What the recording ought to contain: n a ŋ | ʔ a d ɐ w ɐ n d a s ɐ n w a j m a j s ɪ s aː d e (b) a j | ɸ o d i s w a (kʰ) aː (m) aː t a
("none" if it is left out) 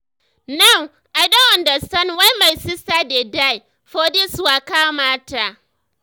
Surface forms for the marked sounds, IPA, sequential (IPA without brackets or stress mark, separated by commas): d, k, m